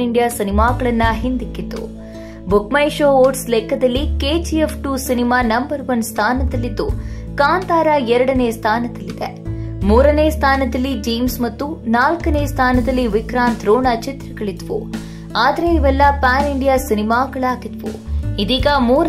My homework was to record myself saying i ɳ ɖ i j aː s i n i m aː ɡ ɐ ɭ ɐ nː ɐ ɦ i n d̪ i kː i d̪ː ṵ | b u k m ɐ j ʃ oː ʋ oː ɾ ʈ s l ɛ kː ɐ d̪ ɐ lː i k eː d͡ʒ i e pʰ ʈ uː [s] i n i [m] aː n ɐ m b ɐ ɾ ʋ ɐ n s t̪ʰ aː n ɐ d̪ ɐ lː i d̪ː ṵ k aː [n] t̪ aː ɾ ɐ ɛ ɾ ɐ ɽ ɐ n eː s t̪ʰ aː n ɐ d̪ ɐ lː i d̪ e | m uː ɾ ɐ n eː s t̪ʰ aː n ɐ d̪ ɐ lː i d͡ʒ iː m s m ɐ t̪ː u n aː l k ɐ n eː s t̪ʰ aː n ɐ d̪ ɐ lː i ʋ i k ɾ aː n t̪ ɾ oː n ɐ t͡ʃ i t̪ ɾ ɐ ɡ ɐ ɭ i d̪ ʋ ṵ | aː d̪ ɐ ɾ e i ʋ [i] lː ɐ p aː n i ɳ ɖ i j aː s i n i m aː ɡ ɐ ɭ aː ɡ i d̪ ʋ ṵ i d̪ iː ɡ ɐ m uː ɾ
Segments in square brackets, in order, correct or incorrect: correct, correct, correct, incorrect: ɛ

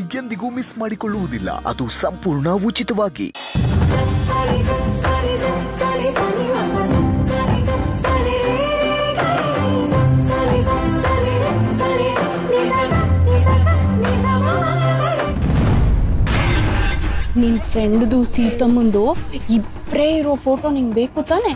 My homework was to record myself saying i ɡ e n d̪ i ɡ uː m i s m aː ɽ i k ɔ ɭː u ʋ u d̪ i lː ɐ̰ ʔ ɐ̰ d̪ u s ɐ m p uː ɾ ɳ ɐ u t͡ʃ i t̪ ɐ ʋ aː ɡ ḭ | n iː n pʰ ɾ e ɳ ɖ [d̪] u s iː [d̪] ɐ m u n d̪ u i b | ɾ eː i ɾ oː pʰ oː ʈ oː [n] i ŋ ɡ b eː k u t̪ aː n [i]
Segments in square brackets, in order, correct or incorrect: correct, incorrect: t̪, correct, incorrect: e

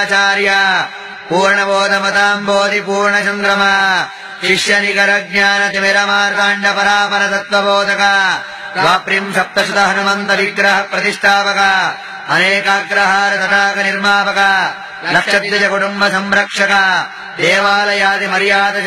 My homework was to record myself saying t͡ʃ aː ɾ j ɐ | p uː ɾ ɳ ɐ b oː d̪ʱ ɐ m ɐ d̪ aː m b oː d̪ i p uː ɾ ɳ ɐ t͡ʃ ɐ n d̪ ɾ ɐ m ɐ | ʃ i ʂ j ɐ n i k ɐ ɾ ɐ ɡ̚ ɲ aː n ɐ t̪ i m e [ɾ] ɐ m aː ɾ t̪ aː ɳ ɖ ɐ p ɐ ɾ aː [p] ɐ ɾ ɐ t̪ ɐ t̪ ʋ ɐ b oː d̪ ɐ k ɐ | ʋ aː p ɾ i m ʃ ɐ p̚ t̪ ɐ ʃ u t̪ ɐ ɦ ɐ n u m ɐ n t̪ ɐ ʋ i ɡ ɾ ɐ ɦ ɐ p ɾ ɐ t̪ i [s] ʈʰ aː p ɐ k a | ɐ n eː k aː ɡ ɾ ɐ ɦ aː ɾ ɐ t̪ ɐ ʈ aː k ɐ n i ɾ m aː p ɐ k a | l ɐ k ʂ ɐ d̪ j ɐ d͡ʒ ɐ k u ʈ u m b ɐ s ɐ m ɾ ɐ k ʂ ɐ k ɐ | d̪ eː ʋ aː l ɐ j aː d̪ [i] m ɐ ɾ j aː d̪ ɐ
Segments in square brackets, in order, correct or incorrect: correct, correct, incorrect: ʂ, correct

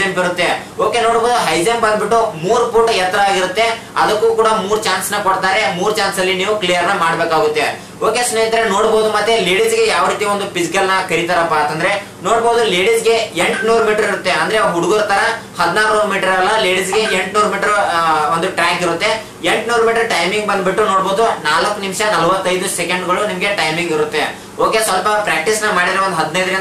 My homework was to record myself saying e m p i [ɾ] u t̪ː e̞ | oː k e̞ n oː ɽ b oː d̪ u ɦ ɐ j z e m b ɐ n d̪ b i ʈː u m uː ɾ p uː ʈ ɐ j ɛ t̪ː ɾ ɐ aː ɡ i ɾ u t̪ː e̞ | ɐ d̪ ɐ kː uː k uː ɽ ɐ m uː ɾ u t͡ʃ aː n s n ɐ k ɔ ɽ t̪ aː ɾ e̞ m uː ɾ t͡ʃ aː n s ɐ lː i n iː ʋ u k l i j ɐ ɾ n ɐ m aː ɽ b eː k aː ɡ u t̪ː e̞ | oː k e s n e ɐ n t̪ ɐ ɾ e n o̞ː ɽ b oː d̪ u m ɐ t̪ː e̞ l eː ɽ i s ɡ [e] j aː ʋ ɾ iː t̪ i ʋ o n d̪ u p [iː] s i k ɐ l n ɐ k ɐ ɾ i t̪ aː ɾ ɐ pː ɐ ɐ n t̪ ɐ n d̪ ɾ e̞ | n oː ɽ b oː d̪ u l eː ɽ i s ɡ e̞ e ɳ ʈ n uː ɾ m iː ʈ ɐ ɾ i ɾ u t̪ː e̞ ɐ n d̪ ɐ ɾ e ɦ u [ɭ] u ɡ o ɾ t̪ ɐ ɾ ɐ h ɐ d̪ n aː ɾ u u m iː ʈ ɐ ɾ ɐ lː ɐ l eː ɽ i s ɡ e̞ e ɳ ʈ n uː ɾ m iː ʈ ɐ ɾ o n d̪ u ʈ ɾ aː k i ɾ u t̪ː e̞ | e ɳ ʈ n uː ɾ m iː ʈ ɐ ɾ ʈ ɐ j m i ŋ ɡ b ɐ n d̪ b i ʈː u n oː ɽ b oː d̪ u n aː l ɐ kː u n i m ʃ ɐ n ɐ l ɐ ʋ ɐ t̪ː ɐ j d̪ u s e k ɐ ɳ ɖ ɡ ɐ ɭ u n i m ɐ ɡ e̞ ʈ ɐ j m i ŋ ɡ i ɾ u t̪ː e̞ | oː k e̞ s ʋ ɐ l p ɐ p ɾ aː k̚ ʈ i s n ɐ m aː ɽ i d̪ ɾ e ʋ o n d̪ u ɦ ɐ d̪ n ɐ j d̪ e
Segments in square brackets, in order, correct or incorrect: correct, correct, incorrect: i, incorrect: ɽ

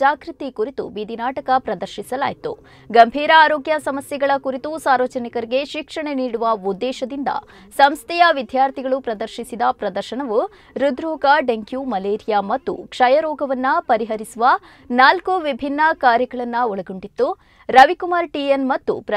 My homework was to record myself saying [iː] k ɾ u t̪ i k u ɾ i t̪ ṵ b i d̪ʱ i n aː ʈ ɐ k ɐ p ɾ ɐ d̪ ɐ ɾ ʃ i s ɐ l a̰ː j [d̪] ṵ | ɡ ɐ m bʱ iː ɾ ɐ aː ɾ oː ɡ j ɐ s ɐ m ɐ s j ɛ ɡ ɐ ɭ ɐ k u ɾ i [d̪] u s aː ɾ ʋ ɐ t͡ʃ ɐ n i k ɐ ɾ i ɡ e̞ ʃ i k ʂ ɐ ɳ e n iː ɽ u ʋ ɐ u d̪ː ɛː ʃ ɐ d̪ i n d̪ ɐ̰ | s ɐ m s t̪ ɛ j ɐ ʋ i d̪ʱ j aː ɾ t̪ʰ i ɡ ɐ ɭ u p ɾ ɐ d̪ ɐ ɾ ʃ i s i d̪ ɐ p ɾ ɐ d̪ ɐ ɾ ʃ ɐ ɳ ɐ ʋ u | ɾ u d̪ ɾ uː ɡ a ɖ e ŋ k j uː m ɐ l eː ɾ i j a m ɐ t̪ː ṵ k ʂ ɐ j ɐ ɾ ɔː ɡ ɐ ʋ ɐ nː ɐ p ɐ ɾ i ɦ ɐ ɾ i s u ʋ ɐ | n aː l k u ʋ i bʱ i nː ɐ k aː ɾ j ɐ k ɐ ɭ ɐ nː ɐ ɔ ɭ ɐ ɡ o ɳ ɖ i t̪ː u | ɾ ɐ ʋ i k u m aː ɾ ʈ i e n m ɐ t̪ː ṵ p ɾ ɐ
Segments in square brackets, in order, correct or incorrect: incorrect: aː, incorrect: t̪, incorrect: t̪

